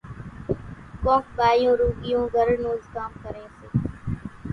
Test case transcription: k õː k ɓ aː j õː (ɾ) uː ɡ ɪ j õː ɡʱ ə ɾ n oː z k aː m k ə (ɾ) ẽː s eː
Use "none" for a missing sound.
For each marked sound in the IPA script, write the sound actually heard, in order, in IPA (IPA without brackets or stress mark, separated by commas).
ɾ, ɾ